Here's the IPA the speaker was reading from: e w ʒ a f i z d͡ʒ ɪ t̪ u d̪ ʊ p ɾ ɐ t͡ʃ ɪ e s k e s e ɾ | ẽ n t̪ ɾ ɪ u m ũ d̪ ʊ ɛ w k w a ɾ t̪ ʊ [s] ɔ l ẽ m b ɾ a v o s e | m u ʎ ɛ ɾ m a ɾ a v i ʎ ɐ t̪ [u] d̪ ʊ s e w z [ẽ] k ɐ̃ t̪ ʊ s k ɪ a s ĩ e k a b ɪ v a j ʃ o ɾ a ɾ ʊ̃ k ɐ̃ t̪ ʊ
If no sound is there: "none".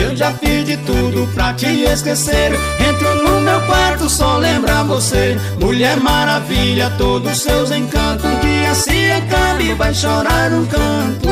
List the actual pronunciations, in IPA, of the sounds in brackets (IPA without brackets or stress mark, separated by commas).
s, o, ẽ